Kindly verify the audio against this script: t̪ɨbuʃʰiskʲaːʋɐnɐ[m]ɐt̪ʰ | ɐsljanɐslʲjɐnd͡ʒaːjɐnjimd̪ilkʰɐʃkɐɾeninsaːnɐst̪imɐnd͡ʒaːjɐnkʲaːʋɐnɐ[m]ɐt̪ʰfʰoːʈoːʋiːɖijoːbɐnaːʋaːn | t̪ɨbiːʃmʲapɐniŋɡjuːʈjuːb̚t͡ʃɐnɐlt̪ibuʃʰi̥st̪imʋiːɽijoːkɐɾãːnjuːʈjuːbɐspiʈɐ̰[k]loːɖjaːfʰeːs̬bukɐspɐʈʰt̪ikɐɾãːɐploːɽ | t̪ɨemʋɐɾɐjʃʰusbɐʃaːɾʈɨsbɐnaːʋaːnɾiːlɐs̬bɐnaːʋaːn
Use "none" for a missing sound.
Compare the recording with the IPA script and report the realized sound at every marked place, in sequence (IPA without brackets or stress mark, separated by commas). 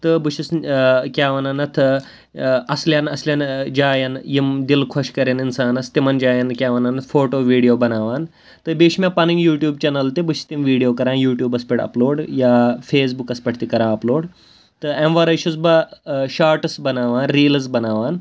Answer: n, n, p